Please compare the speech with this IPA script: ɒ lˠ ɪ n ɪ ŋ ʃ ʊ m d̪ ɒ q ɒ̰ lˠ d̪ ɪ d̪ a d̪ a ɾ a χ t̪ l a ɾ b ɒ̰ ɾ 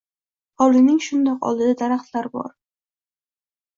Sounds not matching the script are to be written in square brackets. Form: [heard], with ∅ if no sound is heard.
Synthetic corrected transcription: ɒ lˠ ɪ n ɪ ŋ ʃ ʊ [n] d̪ ɒ q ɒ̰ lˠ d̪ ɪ d̪ a d̪ a ɾ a χ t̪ l a ɾ b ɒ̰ ɾ